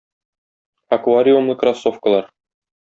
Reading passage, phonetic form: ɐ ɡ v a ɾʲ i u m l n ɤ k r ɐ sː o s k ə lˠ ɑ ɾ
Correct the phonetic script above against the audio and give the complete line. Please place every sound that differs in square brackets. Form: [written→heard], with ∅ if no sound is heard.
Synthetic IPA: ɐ [ɡ→k] v a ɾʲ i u m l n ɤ k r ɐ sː o [s→f] k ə lˠ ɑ ɾ